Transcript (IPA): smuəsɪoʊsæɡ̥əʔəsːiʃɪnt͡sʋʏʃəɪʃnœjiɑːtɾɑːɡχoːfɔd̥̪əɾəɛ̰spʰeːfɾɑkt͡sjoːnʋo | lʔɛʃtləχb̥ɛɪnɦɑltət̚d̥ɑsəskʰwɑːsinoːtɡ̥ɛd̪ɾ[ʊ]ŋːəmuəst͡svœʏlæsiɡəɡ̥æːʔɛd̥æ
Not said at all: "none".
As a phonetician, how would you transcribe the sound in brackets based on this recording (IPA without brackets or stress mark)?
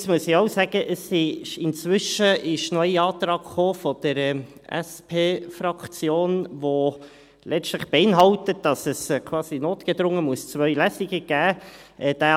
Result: ʊ